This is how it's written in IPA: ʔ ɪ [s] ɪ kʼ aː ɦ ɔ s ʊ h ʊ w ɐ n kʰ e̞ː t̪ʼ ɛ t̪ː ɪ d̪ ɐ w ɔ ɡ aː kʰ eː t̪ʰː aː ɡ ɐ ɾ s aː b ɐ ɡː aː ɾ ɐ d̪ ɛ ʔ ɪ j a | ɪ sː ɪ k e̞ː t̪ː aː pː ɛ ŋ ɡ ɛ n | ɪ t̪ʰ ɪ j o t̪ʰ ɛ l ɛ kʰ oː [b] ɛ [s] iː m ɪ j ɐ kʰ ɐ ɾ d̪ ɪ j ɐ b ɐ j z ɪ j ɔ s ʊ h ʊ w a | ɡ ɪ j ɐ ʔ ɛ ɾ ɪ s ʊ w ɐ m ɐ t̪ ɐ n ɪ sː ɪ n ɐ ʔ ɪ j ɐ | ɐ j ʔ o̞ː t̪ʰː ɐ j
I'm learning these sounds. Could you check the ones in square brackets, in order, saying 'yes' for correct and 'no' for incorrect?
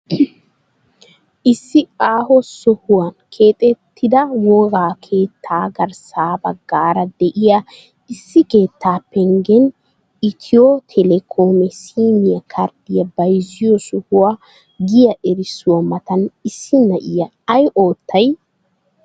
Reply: no, no, yes

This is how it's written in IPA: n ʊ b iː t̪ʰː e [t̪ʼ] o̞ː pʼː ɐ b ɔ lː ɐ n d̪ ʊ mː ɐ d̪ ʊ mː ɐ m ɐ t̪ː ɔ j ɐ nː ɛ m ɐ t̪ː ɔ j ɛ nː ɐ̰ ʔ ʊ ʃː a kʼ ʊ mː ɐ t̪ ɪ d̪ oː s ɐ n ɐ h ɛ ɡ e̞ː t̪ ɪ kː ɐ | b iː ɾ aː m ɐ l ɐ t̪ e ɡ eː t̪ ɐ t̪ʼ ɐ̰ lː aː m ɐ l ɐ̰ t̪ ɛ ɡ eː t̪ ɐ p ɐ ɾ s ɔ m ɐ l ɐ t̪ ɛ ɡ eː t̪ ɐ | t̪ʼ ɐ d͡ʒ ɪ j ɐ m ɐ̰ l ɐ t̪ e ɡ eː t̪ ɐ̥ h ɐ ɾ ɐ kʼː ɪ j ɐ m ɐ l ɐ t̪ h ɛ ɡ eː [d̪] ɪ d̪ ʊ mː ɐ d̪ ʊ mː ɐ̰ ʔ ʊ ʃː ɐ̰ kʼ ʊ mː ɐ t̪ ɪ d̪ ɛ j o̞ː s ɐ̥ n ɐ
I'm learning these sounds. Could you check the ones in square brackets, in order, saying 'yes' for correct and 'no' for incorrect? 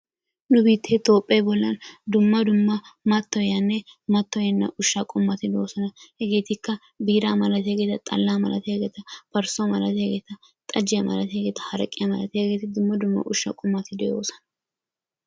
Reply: no, no

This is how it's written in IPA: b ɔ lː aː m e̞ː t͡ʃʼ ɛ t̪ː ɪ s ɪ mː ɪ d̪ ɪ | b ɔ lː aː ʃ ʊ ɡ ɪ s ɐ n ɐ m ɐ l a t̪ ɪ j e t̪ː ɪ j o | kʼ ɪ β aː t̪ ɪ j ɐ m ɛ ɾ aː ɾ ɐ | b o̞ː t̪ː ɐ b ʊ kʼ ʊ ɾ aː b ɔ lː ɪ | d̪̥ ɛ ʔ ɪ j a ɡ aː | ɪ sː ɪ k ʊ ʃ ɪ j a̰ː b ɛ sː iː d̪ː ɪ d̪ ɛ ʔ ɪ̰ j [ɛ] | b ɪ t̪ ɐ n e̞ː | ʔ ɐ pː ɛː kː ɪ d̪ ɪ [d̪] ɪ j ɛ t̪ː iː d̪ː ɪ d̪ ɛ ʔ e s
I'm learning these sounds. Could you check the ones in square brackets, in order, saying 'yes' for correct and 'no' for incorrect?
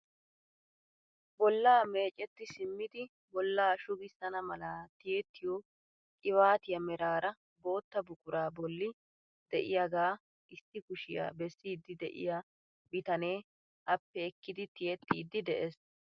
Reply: no, no

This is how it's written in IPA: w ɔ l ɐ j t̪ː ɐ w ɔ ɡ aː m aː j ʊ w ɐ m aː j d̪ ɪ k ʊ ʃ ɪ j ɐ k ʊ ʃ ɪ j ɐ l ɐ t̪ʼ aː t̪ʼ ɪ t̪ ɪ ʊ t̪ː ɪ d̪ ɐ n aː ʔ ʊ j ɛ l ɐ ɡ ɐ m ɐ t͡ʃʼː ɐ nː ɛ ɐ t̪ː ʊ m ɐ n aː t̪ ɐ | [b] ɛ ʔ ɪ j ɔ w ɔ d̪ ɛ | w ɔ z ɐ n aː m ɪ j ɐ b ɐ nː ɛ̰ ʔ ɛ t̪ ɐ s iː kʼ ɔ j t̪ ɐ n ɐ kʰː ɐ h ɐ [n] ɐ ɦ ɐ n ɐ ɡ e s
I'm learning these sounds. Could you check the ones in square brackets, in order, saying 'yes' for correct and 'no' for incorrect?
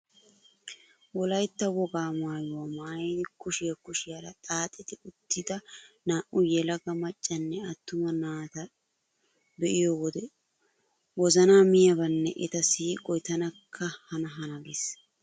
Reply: yes, yes

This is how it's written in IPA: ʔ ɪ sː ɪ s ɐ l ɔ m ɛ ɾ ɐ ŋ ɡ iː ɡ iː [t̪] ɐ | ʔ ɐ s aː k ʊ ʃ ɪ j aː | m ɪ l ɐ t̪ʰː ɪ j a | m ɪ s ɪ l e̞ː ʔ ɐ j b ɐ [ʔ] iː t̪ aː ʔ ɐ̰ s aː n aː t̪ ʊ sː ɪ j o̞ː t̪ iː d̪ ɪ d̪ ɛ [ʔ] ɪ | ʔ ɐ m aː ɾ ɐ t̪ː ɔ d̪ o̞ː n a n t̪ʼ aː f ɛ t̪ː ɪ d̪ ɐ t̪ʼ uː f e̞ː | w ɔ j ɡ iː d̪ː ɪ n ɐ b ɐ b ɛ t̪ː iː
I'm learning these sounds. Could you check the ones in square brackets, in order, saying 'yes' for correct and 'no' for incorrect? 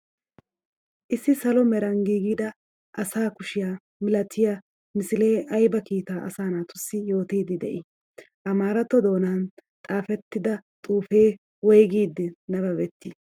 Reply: no, no, yes

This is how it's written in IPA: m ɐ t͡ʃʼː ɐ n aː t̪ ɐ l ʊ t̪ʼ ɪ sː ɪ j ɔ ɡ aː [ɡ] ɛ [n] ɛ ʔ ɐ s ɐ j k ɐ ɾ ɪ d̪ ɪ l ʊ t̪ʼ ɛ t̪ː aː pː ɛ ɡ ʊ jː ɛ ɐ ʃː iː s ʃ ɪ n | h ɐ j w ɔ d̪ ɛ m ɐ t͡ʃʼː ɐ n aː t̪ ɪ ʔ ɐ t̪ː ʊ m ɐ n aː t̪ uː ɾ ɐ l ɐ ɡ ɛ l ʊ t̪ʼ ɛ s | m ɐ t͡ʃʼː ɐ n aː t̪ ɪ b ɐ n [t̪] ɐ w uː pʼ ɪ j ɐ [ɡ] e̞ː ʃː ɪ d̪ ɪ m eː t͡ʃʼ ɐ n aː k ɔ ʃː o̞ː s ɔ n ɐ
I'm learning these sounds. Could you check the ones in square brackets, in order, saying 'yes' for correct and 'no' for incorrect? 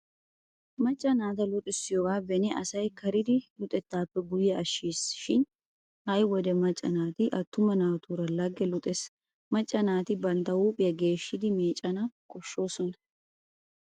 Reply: no, yes, yes, yes

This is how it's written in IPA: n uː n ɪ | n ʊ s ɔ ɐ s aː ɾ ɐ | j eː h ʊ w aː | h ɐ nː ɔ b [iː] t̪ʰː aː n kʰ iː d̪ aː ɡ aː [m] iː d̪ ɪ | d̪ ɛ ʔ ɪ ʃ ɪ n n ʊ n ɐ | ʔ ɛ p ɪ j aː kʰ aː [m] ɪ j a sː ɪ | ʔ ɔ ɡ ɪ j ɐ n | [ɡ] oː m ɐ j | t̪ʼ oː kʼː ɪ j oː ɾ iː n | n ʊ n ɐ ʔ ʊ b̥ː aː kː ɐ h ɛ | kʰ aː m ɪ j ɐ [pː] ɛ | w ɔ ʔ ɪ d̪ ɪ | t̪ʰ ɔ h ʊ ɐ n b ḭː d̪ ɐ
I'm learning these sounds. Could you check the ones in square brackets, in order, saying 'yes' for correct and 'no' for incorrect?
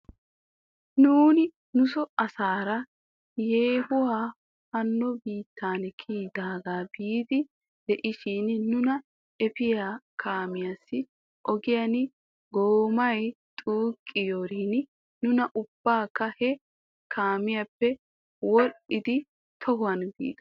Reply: yes, no, yes, yes, yes

